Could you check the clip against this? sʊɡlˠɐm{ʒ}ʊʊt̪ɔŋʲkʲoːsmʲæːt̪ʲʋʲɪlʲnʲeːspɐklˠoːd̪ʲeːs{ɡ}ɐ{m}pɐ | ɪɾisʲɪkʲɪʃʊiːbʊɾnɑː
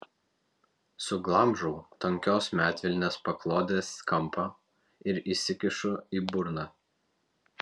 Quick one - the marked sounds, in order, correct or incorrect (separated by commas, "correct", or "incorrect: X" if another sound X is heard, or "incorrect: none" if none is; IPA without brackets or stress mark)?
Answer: correct, incorrect: k, correct